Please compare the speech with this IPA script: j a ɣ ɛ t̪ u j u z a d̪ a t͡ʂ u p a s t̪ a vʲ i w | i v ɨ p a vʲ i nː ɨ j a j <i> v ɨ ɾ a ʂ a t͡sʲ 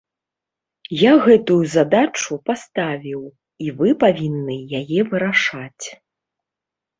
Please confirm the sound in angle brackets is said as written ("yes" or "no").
no